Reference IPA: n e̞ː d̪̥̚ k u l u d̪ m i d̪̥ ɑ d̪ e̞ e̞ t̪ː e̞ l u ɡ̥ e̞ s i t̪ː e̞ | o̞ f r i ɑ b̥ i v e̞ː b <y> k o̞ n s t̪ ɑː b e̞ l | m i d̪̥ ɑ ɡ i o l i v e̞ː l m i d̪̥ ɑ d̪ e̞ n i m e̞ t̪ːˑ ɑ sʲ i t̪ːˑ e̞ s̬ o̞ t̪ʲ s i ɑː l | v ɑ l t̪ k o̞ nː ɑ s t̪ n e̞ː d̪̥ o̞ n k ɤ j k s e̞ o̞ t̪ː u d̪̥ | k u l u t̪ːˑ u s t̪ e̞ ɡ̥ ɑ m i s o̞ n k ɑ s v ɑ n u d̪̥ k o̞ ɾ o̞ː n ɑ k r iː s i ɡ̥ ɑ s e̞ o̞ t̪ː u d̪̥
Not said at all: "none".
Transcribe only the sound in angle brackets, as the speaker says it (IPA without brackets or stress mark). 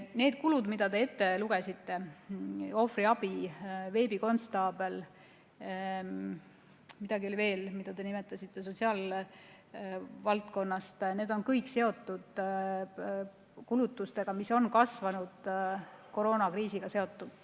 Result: i